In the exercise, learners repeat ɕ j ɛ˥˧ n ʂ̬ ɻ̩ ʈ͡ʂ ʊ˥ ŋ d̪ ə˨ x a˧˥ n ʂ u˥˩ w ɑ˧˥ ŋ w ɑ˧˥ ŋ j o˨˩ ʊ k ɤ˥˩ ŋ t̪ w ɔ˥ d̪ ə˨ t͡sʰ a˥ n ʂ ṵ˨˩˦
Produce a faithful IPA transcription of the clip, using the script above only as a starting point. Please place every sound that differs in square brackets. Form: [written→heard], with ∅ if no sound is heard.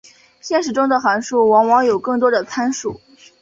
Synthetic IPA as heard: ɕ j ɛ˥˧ n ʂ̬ ɻ̩ ʈ͡ʂ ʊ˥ ŋ d̪ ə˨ x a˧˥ n ʂ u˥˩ w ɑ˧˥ ŋ w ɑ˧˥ ŋ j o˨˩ ʊ k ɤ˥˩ ŋ t̪ w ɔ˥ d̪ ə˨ t͡sʰ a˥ n ʂ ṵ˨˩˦